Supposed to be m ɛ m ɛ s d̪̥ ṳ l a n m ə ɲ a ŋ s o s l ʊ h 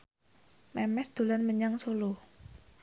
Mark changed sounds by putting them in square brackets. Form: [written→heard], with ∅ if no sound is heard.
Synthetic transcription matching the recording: m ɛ m ɛ s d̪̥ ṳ l a n m ə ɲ a ŋ s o [s→∅] l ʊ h